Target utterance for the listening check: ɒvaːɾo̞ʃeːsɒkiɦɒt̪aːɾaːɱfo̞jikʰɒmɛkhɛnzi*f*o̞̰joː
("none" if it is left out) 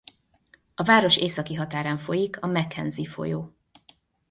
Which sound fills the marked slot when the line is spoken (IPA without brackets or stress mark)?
f